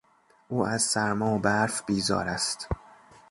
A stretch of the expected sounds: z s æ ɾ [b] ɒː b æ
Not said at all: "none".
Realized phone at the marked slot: m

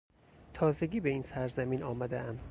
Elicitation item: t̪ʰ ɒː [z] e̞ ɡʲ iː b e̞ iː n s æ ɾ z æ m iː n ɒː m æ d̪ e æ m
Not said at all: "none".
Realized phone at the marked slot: z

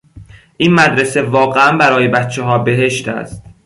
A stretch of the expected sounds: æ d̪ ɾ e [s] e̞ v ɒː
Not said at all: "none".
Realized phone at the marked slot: s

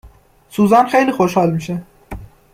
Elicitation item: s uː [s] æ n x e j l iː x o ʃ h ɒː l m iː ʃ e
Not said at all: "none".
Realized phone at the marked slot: z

